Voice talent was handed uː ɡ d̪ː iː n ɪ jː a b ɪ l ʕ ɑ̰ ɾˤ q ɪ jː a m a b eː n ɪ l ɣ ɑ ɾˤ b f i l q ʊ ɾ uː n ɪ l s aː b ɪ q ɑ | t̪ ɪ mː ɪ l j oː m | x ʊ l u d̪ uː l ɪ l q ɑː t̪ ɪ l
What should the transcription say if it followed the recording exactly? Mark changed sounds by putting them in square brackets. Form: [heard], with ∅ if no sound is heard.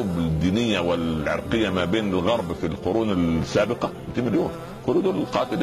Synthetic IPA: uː [b] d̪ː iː n ɪ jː a [w] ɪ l ʕ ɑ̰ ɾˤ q ɪ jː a m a b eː n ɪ l ɣ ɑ ɾˤ b f i l q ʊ ɾ uː n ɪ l s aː b ɪ q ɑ | t̪ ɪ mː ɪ l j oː m | x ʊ l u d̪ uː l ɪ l q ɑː t̪ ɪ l